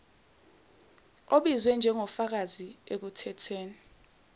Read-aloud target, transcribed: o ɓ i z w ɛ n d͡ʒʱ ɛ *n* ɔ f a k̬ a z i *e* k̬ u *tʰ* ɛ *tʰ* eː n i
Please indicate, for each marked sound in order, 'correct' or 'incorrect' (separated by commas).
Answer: incorrect, correct, correct, correct